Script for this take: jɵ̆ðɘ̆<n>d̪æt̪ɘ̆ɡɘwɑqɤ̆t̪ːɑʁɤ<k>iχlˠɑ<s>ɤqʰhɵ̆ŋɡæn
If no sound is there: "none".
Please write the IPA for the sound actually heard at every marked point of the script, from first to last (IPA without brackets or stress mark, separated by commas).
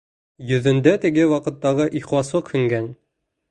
n, ʔ, s